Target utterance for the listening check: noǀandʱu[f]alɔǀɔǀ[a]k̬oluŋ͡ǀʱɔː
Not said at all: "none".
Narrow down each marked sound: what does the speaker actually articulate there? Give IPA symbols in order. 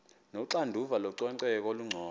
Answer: v, ɛ

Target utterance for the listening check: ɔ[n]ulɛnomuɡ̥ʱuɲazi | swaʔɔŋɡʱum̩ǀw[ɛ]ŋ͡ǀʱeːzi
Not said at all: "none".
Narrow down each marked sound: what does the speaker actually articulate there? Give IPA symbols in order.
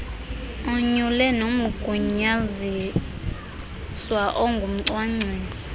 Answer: ɲ, a

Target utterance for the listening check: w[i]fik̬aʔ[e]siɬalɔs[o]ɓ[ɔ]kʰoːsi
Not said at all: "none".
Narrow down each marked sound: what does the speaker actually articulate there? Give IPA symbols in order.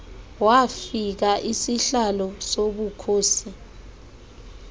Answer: a, i, o, u

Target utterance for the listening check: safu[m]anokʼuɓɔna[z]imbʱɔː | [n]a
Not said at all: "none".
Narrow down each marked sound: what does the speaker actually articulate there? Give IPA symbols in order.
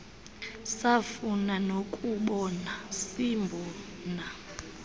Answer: n, s, n

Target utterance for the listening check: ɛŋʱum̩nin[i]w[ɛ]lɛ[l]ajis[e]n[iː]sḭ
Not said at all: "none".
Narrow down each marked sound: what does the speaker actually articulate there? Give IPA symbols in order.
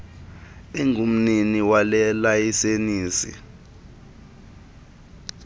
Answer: i, a, l, e, iː

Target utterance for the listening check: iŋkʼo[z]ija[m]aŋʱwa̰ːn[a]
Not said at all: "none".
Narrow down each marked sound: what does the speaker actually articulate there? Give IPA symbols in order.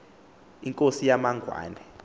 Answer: s, m, ɛ

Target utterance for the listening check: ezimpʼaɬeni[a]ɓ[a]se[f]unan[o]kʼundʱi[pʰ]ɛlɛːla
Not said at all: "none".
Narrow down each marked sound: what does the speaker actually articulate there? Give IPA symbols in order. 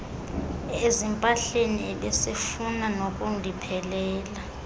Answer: ɛ, ɛ, f, o, pʰ

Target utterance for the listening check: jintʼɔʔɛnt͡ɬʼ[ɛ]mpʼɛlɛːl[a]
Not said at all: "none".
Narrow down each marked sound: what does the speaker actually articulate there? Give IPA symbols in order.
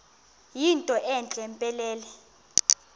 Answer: ɛ, ɛ

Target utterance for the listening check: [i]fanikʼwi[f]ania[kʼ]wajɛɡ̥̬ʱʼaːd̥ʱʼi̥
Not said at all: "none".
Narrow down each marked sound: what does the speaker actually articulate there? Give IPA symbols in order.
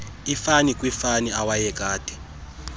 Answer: i, f, none

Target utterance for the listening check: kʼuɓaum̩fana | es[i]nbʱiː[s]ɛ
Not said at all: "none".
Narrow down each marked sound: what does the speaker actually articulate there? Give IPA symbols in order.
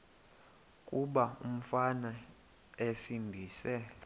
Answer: i, s

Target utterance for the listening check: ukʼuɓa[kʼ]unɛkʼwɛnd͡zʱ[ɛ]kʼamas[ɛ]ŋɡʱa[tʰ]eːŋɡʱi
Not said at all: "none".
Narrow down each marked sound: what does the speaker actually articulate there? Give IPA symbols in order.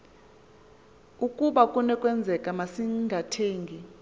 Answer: kʼ, ɛ, i, tʰ

